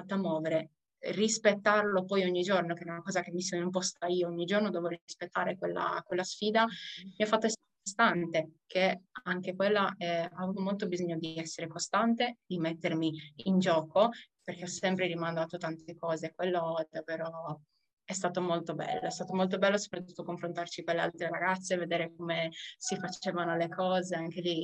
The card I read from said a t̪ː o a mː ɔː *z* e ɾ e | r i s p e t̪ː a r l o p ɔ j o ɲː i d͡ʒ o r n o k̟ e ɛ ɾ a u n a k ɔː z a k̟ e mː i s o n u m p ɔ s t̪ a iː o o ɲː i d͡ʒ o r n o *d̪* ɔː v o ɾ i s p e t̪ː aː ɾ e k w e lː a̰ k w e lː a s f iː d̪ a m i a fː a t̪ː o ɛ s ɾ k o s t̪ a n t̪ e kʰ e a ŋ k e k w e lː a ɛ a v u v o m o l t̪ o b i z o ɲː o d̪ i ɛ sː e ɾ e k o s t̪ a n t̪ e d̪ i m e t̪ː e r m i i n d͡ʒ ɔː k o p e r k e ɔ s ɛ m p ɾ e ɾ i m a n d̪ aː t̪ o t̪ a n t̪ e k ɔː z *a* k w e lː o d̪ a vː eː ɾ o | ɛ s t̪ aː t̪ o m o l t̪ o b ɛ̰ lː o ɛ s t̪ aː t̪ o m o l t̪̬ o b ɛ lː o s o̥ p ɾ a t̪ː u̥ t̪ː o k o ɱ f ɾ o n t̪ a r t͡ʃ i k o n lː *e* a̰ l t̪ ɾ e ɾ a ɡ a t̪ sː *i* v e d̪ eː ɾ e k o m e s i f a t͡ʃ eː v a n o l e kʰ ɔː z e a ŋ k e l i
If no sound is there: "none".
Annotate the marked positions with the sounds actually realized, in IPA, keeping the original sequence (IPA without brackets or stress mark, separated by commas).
v, d̪, e, e, e